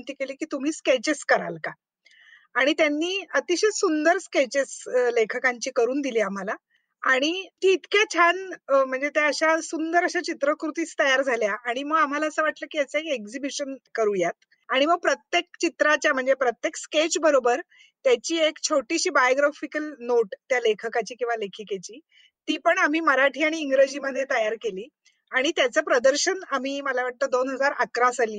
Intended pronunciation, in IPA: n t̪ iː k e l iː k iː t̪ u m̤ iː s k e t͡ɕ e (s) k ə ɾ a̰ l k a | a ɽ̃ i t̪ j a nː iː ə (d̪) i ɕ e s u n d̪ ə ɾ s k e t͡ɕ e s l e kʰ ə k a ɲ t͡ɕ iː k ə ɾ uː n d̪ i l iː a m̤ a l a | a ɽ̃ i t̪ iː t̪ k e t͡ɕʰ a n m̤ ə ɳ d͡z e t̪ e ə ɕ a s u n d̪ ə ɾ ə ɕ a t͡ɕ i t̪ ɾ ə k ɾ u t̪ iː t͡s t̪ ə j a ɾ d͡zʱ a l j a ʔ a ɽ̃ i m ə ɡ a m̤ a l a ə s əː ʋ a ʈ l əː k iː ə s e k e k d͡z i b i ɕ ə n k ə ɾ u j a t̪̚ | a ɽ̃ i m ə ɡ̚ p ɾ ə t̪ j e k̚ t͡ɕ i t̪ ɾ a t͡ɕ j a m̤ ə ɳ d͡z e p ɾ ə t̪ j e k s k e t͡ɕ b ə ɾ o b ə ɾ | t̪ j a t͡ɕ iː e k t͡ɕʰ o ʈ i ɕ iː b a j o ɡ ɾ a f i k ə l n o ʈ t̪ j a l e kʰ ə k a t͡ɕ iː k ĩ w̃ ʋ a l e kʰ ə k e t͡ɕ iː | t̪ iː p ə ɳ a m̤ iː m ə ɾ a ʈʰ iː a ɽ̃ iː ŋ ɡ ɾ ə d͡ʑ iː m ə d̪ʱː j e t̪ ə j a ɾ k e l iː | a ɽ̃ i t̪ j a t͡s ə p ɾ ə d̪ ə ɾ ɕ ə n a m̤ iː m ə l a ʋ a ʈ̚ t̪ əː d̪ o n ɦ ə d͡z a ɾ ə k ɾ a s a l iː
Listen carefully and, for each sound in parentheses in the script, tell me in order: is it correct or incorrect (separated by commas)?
correct, incorrect